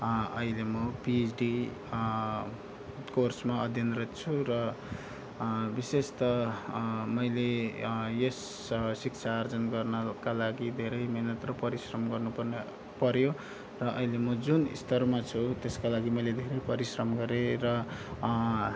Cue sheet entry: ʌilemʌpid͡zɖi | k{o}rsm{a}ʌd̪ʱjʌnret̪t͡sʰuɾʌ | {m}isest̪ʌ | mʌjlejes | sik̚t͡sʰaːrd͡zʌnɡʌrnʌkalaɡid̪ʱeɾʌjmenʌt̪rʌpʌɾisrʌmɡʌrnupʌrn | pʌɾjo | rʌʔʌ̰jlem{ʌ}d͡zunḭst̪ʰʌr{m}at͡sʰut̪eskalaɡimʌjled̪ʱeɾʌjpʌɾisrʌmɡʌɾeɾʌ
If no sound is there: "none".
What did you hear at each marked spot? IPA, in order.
o, a, b, ʌ, m

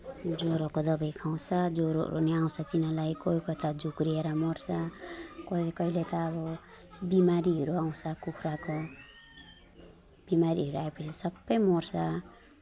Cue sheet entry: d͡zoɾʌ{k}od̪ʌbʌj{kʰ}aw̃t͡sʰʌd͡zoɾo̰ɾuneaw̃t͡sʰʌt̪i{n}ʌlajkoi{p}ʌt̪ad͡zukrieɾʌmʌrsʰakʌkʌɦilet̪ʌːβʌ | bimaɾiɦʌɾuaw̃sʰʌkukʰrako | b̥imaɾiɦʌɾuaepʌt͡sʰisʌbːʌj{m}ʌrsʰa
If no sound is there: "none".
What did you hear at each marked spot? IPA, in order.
k, kʰ, n, k, m

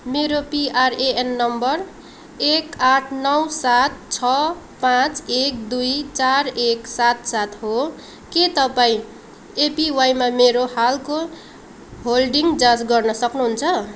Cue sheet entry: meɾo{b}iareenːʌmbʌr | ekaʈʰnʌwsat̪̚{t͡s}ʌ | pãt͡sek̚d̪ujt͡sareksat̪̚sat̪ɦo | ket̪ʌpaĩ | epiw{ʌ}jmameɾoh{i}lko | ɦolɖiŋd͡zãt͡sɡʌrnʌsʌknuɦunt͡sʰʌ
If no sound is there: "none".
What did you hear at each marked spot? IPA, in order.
p, t͡sʰ, a, a

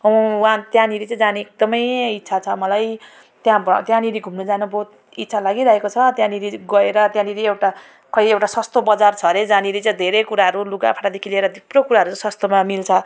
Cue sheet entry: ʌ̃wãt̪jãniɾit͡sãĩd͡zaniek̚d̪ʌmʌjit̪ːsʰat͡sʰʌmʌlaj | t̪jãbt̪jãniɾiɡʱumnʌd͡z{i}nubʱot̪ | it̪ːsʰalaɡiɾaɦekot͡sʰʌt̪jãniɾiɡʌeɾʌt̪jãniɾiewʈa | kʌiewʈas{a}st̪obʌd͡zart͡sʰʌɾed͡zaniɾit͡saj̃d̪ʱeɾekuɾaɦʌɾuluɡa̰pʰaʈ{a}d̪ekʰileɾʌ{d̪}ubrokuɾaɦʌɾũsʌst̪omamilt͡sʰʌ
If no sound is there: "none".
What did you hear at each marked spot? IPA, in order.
a, ʌ, a, d̪

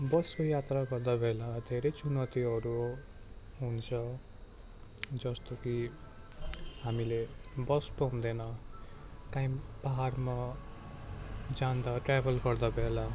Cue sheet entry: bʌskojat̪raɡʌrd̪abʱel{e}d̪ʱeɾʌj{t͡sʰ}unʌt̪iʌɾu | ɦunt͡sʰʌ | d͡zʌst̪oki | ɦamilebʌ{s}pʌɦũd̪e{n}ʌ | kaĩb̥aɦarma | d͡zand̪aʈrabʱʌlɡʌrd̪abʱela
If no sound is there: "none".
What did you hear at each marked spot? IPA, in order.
a, t͡s, s, n

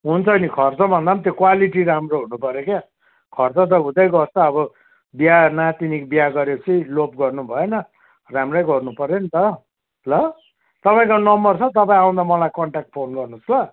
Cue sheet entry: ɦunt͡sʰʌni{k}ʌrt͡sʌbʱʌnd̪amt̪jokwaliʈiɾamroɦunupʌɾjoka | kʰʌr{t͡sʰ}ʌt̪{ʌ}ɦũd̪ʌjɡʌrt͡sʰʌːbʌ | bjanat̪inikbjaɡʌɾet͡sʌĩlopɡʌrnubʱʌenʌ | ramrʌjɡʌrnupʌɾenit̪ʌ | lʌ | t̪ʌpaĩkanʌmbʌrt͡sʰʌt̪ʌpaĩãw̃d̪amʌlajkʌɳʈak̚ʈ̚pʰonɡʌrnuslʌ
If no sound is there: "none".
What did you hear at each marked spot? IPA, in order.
kʰ, t͡s, ʌ

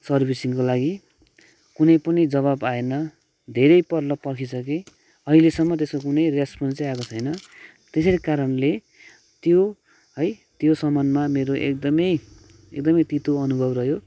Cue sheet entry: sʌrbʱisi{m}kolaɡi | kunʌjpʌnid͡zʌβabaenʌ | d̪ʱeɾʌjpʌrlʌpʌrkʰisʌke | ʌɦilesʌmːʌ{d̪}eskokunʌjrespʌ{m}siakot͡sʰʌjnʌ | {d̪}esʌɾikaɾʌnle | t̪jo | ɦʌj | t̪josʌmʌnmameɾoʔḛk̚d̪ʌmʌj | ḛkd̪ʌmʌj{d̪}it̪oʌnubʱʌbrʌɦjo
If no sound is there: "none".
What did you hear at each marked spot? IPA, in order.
ŋ, t̪, n, t̪, t̪

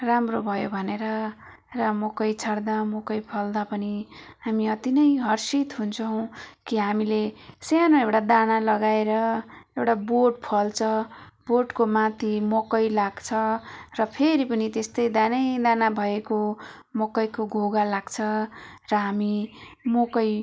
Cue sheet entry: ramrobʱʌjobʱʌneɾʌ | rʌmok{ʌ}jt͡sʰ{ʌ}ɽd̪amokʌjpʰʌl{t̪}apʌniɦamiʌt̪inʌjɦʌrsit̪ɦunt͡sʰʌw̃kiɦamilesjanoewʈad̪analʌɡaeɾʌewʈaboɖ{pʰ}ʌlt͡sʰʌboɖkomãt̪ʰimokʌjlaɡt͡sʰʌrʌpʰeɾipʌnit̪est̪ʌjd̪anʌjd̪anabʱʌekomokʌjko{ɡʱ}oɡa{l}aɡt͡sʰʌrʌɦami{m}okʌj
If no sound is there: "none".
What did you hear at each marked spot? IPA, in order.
ʌ, ʌ, d̪, pʰ, ɡʱ, l, m

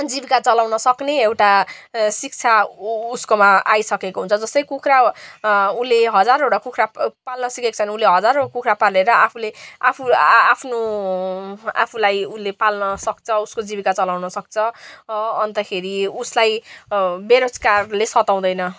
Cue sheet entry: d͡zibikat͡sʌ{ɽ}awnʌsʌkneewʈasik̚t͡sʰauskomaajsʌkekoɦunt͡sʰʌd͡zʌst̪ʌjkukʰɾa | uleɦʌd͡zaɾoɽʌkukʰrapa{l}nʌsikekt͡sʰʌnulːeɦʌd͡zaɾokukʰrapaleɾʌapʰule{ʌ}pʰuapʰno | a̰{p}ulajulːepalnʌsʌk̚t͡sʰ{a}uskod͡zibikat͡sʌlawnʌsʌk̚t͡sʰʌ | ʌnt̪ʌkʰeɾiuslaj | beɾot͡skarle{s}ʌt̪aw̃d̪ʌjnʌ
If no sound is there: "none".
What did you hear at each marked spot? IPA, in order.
l, l, a, pʰ, ʌ, s

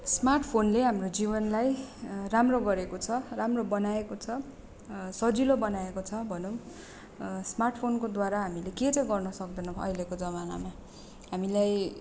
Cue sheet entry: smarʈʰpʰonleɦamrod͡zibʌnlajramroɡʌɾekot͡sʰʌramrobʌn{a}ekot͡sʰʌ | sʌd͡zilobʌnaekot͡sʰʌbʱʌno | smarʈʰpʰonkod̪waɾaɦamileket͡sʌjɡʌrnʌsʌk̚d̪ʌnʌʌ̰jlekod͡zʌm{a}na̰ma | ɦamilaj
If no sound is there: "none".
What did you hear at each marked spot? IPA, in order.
a, a

